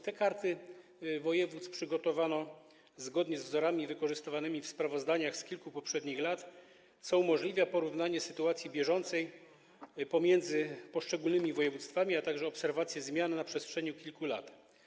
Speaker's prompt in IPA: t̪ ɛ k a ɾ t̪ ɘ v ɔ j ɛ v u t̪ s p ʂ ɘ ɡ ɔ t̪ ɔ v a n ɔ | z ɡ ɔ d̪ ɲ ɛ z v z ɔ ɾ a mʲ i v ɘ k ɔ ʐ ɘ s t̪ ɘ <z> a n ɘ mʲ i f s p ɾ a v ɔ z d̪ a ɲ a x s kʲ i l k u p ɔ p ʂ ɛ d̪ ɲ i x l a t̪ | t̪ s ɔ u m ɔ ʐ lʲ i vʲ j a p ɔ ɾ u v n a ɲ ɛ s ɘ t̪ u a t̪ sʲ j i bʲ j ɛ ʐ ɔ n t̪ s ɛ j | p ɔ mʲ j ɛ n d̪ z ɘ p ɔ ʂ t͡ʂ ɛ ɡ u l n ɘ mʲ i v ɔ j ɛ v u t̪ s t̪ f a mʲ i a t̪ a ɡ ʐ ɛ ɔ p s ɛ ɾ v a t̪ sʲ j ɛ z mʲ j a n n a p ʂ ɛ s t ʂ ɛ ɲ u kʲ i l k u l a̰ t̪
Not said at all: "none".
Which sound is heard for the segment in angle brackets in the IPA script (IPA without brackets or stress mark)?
v